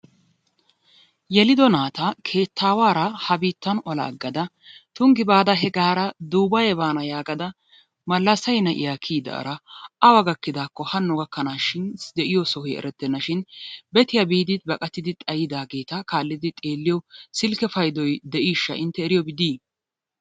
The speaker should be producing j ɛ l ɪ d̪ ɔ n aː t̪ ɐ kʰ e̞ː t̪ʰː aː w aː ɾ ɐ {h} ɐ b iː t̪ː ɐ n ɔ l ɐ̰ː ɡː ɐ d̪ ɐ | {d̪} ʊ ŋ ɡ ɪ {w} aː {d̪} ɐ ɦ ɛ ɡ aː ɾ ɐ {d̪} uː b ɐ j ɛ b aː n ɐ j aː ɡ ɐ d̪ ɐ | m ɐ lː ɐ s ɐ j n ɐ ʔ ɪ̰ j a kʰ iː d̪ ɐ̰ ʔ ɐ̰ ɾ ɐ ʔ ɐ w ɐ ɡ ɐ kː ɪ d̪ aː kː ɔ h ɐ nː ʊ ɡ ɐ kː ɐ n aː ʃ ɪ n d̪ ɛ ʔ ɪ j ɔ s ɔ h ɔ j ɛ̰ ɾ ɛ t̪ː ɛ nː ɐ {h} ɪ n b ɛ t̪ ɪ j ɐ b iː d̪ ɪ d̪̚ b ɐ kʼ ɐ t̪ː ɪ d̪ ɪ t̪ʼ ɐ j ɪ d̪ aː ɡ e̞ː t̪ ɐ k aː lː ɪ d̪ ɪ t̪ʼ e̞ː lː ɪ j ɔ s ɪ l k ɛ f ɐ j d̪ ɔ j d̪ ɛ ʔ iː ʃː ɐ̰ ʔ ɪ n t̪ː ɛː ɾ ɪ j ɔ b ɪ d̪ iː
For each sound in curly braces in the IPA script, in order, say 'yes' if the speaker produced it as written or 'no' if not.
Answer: yes, no, no, yes, yes, no

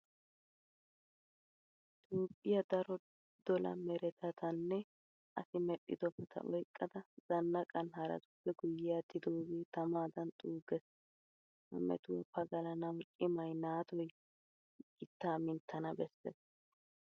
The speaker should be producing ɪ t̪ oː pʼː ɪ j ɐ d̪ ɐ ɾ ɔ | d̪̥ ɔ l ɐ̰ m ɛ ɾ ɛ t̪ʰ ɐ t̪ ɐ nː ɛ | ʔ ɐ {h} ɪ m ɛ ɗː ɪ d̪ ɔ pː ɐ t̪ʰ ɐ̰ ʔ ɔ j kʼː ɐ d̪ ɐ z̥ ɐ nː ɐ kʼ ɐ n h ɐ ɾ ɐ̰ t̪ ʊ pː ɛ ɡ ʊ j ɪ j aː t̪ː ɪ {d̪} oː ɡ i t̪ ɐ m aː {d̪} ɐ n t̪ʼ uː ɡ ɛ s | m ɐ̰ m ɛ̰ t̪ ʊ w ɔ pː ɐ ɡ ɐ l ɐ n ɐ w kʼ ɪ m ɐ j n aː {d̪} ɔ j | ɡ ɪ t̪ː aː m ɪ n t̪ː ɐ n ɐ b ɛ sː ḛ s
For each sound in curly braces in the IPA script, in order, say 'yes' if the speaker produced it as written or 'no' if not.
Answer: no, yes, yes, no

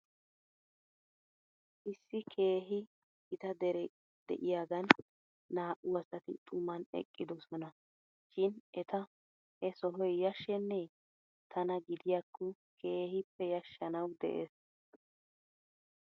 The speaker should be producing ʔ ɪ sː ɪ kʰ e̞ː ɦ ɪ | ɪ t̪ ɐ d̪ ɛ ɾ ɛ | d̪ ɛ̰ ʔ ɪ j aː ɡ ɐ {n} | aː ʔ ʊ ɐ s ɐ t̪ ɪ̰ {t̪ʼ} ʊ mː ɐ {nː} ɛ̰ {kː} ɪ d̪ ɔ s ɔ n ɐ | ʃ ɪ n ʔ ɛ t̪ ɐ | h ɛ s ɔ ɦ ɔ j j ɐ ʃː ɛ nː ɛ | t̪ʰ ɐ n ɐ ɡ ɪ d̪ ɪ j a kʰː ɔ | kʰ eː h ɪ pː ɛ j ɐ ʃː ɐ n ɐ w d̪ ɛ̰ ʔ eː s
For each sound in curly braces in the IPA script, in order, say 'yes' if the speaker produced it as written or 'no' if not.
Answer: no, yes, no, no

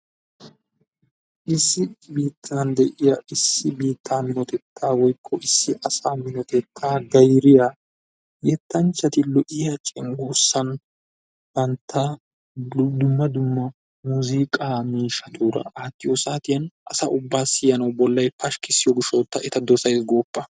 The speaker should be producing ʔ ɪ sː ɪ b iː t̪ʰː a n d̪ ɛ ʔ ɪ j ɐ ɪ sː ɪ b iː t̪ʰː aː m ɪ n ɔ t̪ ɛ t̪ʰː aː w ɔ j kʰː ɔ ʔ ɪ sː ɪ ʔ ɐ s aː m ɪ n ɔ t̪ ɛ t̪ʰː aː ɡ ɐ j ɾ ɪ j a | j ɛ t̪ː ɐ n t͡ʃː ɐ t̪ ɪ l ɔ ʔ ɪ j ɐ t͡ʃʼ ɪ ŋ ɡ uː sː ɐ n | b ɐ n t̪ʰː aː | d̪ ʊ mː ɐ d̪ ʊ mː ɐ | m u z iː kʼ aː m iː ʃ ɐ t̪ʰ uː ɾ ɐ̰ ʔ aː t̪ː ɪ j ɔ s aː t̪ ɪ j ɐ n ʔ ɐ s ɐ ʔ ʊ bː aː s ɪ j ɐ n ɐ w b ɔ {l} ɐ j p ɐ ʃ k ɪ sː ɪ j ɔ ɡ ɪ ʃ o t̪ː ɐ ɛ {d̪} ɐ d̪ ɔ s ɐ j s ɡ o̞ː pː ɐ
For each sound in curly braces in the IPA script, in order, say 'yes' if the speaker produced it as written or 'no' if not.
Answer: no, no

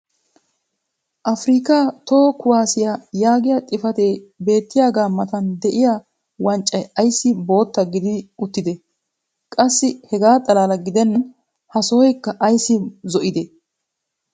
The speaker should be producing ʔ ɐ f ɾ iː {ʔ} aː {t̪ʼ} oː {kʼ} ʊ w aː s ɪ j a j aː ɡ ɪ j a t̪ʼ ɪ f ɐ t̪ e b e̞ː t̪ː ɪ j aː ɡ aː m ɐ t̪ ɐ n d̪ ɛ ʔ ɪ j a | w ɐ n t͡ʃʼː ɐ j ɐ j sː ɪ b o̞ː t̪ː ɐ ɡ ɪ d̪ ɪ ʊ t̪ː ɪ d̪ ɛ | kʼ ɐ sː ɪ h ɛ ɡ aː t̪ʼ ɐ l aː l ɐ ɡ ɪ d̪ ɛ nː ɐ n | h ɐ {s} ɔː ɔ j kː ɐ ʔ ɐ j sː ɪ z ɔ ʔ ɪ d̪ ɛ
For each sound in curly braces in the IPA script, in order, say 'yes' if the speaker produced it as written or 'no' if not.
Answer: no, no, no, yes

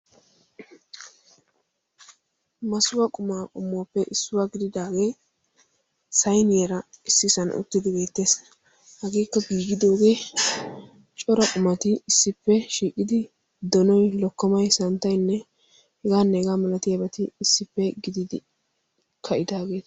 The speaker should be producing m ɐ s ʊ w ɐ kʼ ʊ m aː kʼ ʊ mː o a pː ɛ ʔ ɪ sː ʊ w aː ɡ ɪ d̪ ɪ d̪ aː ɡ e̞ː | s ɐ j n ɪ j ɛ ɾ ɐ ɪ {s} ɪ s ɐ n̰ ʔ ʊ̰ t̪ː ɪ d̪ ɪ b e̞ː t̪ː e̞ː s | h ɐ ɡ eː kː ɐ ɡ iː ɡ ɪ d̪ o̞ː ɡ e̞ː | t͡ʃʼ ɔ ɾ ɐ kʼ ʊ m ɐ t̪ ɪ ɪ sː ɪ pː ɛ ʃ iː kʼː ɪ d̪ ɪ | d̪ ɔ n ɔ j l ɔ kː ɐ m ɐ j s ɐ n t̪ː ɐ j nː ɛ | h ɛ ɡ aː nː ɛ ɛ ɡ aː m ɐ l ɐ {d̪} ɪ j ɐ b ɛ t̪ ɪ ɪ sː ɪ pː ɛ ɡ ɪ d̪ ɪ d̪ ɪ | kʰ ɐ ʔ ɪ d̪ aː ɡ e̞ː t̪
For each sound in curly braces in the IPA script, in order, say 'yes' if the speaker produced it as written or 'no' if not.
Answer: no, no

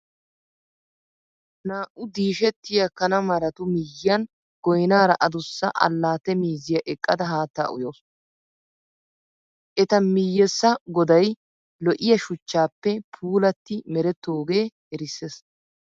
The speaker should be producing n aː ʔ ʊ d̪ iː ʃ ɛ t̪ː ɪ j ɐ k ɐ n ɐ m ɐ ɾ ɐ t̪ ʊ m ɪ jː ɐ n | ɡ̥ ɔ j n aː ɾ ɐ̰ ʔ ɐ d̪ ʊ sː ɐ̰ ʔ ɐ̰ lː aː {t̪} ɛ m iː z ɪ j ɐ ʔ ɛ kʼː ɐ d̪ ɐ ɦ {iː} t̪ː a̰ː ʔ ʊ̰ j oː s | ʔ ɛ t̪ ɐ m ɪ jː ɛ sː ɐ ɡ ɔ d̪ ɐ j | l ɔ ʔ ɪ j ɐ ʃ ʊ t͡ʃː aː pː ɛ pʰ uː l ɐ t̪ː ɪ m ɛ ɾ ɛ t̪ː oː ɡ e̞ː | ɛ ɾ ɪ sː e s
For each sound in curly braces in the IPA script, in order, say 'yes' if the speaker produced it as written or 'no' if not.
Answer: yes, no

